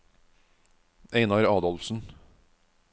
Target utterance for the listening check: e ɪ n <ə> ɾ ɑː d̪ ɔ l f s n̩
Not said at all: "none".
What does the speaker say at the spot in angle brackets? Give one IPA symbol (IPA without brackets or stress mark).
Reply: ɑ